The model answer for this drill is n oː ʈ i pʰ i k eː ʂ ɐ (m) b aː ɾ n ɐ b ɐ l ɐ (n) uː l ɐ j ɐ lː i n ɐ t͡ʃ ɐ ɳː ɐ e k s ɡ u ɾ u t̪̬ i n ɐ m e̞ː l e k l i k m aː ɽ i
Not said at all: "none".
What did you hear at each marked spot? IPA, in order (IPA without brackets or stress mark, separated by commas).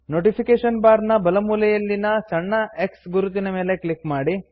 n, m